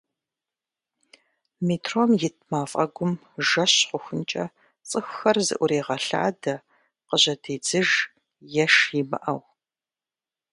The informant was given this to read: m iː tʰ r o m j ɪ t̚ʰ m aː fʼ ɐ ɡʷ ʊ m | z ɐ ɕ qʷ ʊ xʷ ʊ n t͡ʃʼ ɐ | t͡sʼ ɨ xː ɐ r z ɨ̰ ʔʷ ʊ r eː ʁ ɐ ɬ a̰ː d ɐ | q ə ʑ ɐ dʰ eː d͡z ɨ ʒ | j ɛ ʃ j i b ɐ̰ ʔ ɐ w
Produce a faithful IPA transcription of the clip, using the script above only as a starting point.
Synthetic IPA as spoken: m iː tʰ r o m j ɪ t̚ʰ m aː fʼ ɐ ɡʷ ʊ m | ʒ ɐ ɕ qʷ ʊ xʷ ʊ n t͡ʃʼ ɐ | t͡sʼ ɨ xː ɐ r z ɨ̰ ʔʷ ʊ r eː ʁ ɐ ɬ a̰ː d ɐ | q ə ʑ ɐ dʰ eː d͡z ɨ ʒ | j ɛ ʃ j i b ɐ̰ ʔ ɐ w